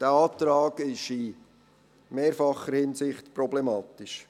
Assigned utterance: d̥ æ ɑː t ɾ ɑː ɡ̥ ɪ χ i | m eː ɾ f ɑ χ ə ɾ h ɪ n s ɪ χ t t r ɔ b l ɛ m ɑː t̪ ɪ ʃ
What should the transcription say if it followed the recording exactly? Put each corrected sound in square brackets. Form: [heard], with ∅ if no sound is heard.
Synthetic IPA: d̥ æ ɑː t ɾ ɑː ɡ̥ ɪ [ʃ] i | m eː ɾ f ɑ χ ə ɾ h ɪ n s ɪ χ t [p] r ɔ b l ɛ m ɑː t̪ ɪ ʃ